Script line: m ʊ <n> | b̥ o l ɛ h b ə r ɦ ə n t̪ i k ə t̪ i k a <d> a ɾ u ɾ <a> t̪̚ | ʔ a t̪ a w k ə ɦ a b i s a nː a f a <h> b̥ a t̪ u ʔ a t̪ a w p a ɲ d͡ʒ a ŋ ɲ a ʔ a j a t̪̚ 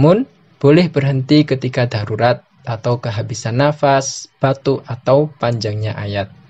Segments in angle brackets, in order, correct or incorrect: correct, correct, correct, incorrect: s

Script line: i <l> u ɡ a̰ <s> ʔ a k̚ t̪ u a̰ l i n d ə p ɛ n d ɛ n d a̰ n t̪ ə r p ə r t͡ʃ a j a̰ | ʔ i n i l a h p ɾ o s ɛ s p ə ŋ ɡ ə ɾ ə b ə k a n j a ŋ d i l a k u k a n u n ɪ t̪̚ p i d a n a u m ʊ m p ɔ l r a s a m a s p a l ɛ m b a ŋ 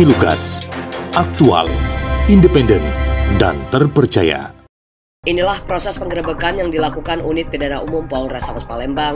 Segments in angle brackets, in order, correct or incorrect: correct, correct

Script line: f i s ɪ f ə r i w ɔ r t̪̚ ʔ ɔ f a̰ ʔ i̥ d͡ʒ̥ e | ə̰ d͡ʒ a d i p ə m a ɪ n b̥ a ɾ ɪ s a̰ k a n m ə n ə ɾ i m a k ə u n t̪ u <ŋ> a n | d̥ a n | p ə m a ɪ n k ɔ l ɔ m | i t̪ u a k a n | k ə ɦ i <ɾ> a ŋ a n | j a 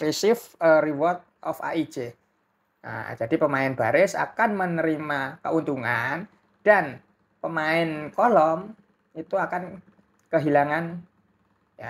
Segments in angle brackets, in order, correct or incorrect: correct, incorrect: l

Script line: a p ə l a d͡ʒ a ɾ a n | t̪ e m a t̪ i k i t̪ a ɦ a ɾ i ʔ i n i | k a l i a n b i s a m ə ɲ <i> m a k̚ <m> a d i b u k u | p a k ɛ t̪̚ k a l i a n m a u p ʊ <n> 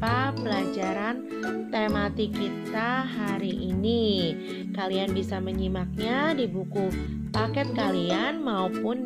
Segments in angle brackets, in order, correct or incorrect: correct, incorrect: ɲ, correct

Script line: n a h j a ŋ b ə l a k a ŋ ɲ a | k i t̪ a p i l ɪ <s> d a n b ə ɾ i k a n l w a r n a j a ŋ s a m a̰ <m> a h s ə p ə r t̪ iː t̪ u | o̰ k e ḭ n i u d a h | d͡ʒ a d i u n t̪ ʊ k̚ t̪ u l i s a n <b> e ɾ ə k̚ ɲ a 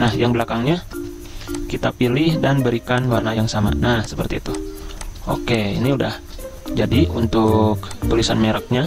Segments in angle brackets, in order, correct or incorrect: incorrect: h, incorrect: n, incorrect: m

